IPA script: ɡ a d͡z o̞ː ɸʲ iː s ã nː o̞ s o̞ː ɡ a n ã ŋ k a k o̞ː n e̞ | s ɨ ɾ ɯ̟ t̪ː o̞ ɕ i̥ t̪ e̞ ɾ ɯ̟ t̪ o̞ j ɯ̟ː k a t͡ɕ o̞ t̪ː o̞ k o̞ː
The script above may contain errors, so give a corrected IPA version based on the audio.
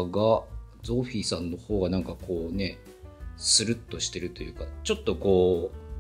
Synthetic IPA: ɡ a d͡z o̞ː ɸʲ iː s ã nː o̞ h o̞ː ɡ a n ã ŋ k a k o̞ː n e̞ | s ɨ ɾ ɯ̟ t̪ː o̞ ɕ i̥ t̪ e̞ ɾ ɯ̟ t̪ o̞ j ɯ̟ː k a t͡ɕ o̞ t̪ː o̞ k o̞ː